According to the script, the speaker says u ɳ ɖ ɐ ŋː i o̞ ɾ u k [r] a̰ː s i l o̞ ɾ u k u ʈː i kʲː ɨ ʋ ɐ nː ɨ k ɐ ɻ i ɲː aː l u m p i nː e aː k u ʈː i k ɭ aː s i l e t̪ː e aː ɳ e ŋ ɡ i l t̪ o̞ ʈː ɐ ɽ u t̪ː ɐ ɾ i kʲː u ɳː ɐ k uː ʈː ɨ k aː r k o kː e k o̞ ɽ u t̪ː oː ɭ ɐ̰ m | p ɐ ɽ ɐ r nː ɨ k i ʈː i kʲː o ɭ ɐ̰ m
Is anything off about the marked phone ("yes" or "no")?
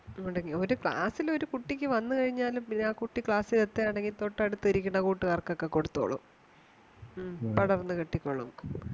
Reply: yes